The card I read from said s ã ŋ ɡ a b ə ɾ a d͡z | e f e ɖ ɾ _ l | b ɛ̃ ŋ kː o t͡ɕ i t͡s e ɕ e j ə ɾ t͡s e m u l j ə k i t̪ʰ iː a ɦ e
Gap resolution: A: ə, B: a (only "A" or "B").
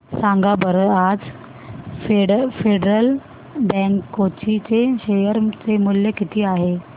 A